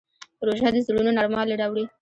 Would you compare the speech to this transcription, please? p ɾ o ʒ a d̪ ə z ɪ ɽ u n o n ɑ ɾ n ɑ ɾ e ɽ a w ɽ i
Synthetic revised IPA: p ɾ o ʒ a d̪ ə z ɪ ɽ u n o n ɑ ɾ m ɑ l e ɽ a w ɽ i